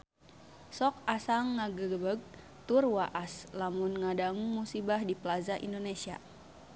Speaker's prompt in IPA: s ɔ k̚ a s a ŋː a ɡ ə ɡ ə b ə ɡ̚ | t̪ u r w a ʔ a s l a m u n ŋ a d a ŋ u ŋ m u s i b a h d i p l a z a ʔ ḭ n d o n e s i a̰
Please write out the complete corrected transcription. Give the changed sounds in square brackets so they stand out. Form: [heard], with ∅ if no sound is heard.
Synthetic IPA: s ɔ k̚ a s a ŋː a ɡ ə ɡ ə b ə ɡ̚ | t̪ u r w a ʔ a s l a m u n ŋ a d a ŋ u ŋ m u s i b a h d i p l a z a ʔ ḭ n d o n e s i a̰